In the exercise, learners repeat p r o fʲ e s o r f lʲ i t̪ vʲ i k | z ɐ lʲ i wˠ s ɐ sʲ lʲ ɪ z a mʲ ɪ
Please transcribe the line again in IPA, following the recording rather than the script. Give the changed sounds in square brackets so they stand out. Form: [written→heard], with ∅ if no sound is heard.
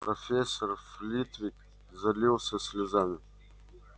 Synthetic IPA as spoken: p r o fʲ e s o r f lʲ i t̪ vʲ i k | z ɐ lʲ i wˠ s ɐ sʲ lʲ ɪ z a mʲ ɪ

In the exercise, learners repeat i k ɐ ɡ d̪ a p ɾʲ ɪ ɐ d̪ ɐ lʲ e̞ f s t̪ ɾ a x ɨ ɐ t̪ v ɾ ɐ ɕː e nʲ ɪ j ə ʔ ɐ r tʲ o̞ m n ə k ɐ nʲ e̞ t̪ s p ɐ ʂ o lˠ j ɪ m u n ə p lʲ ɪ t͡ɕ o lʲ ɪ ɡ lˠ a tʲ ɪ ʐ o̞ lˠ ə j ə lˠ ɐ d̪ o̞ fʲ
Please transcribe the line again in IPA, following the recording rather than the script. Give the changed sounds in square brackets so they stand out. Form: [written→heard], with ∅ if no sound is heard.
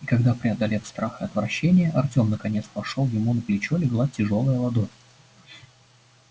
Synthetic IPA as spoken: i k ɐ ɡ d̪ a p ɾʲ ɪ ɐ d̪ ɐ lʲ e̞ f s t̪ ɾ a x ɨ ɐ t̪ v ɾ ɐ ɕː e nʲ ɪ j ə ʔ ɐ r tʲ o̞ m n ə k ɐ nʲ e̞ t̪ s p ɐ ʂ o lˠ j ɪ m u n ə p lʲ ɪ t͡ɕ o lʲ ɪ ɡ lˠ a tʲ ɪ ʐ o̞ lˠ ə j ə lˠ ɐ d̪ o̞ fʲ

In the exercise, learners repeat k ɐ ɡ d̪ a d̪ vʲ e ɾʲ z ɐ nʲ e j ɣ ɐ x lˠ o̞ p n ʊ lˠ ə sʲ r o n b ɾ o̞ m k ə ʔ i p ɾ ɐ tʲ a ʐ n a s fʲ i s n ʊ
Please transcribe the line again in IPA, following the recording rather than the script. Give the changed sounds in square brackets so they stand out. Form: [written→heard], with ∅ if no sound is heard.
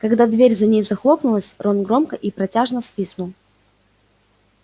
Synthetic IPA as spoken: k ɐ ɡ d̪ a d̪ vʲ e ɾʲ z ɐ nʲ e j [ɣ→z] ɐ x lˠ o̞ p n ʊ lˠ ə sʲ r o n [b→ɡ] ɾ o̞ m k ə ʔ i p ɾ ɐ tʲ a ʐ n [a→ə] s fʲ i s n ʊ

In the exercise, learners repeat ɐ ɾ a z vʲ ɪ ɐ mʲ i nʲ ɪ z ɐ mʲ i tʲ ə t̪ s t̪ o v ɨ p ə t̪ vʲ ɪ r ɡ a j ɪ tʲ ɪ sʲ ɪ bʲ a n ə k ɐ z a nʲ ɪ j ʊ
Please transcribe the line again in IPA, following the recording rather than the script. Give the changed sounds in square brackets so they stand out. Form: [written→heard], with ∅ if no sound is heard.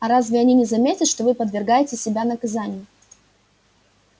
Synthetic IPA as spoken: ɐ ɾ a z vʲ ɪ ɐ [mʲ→nʲ] i nʲ ɪ z ɐ mʲ [i→e] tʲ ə t̪ [s→ʂ] t̪ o v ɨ p ə [t̪→d̪] vʲ ɪ r ɡ a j ɪ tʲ ɪ sʲ ɪ bʲ a n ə k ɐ z a nʲ ɪ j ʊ

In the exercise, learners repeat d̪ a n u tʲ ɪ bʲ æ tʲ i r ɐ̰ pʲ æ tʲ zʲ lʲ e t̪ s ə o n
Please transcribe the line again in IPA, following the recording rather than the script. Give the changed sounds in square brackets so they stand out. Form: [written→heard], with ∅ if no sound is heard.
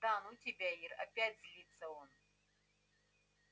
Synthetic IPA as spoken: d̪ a n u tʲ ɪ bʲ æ [tʲ→∅] i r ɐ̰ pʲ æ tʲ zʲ lʲ [e→i] t̪ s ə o n

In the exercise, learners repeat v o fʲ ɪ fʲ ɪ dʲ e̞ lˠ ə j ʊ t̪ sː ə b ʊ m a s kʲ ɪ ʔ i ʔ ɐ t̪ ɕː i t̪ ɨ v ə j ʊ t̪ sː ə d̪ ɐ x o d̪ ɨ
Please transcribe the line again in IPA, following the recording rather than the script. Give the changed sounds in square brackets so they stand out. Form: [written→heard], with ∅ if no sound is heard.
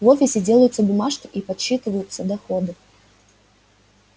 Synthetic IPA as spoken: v o fʲ ɪ [fʲ→sʲ] ɪ dʲ e̞ lˠ ə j ʊ t̪ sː ə b ʊ m a [s→ʂ] kʲ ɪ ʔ i [ʔ→p] ɐ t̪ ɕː i t̪ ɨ v ə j ʊ t̪ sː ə d̪ ɐ x o d̪ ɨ

